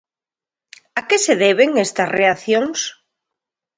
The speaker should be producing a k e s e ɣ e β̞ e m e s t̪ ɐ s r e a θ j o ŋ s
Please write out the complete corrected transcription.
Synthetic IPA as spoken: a k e s e ð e β̞ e ŋ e s t̪ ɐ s r e a θ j o ŋ s